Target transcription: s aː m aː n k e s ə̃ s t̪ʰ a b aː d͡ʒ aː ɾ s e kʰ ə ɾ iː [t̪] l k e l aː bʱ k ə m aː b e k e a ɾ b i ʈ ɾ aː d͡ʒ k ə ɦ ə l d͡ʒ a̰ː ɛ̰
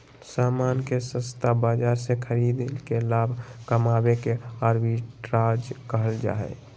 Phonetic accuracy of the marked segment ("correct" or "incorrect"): incorrect